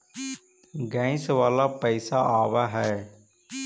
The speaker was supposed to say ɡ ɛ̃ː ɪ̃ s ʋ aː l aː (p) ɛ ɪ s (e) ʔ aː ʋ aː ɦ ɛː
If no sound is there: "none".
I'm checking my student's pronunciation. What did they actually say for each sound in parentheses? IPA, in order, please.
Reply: p, a

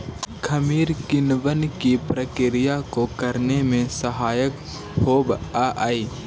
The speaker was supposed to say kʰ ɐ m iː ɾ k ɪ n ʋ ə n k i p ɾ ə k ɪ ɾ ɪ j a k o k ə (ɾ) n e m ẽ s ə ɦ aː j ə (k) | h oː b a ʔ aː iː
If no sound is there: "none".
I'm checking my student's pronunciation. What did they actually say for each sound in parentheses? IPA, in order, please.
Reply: ɾ, k

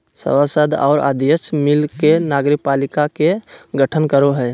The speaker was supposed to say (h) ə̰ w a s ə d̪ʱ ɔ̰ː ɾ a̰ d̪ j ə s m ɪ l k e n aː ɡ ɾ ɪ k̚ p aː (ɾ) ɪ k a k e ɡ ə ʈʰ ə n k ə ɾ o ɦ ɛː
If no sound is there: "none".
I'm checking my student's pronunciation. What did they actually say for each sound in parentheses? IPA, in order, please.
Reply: s, l

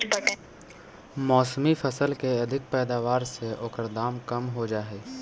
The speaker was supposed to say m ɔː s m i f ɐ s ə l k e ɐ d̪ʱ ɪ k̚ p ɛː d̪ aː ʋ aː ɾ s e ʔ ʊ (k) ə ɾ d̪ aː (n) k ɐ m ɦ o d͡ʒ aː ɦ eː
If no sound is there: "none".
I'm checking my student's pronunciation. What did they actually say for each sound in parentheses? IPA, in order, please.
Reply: k, m

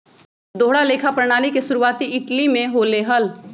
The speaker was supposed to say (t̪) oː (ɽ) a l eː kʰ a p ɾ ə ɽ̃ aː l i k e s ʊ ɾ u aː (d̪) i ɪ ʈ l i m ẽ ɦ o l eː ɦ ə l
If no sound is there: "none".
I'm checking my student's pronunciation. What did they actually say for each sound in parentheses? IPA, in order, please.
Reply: d̪, ɽ, t̪

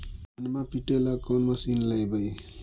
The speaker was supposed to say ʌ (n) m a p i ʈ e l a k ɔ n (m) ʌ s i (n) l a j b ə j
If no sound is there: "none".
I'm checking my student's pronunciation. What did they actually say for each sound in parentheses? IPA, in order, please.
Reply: n, m, n

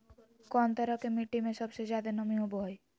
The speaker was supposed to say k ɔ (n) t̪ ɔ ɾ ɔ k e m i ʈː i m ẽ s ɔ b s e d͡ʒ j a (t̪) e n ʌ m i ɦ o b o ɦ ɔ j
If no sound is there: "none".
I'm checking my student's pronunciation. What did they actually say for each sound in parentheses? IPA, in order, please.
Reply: n, d̪

